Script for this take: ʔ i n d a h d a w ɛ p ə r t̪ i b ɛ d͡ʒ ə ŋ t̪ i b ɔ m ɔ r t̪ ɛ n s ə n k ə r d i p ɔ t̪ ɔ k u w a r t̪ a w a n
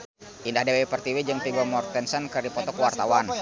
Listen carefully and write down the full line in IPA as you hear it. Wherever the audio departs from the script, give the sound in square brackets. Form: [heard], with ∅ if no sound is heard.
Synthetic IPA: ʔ i n d a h d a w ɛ p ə r t̪ i [w] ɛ d͡ʒ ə ŋ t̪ i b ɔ m ɔ r t̪ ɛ n s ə n k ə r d i p ɔ t̪ ɔ k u w a r t̪ a w a n